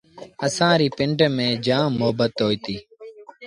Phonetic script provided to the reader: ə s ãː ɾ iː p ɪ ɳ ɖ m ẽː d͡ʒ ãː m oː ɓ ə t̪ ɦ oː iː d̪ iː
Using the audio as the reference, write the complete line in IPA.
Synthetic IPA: ə s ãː ɾ iː p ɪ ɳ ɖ m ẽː d͡ʒ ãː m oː b ə t̪ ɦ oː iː t̪ iː